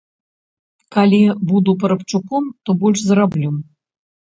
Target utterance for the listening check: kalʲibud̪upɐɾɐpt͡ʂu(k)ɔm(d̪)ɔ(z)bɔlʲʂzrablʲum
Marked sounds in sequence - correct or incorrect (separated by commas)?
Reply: correct, incorrect, incorrect